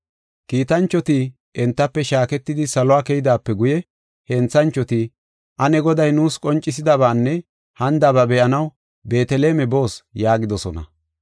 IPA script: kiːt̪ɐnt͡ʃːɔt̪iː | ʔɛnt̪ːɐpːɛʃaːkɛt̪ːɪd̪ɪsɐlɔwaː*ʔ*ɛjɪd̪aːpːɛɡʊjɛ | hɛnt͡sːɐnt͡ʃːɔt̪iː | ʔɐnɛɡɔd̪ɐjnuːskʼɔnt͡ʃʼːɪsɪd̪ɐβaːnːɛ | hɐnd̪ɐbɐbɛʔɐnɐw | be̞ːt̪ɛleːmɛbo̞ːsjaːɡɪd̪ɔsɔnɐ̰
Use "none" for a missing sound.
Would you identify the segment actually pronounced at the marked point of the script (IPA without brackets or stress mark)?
k